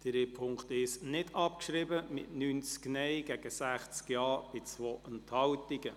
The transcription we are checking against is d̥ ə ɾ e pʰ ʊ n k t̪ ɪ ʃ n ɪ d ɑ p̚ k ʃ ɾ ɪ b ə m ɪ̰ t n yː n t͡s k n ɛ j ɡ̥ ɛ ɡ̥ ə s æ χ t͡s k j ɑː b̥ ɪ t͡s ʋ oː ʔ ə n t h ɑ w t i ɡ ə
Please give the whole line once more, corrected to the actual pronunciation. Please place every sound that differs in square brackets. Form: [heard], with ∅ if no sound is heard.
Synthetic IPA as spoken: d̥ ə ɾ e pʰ ʊ [ŋ] k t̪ ɪ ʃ n ɪ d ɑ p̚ k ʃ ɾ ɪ b ə m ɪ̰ t n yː n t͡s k n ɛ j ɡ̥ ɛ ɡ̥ ə s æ χ t͡s k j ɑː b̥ ɪ t͡s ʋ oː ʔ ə n t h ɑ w t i ɡ ə